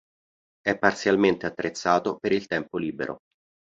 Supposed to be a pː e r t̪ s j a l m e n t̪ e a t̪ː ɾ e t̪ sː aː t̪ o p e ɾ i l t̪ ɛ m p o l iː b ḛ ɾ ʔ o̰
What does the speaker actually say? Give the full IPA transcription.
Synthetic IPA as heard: ɛ pː a r t̪ s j a l m e n t̪ e a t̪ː ɾ e t̪ sː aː t̪ o p e ɾ i l t̪ ɛ m p o l iː b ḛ ɾ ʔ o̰